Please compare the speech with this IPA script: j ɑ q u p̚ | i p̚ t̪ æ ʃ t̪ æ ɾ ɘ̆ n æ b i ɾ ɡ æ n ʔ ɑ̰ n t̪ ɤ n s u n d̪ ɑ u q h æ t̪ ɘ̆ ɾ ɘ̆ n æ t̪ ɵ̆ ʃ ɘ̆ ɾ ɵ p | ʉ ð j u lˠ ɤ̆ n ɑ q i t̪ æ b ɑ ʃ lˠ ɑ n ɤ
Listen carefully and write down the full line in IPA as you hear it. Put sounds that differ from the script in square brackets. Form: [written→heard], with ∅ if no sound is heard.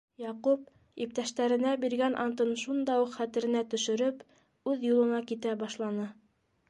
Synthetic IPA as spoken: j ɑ q u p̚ | i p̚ t̪ æ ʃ t̪ æ ɾ ɘ̆ n æ b i ɾ ɡ æ n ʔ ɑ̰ n t̪ ɤ n [s→ʃ] u n d̪ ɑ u q [h→χ] æ t̪ ɘ̆ ɾ ɘ̆ n æ t̪ ɵ̆ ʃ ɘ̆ ɾ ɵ p | ʉ ð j u lˠ ɤ̆ n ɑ [q→k] i t̪ æ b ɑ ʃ lˠ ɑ n ɤ